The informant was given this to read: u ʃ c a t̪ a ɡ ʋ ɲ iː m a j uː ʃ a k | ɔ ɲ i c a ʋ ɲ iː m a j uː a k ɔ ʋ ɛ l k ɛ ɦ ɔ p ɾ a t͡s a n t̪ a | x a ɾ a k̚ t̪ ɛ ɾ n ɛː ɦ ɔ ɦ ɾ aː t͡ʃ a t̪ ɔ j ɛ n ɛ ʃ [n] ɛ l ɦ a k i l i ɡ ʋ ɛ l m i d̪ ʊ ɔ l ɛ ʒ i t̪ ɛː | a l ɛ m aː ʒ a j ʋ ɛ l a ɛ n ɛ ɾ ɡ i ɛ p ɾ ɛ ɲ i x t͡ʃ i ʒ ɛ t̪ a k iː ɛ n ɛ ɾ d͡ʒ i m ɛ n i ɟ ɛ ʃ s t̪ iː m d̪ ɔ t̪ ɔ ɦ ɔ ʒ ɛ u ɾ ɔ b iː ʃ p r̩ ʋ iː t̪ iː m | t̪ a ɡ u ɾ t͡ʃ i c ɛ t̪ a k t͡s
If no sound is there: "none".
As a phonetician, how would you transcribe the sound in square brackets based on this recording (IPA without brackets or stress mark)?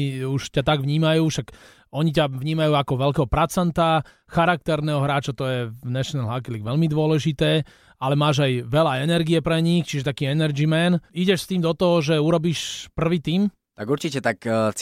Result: n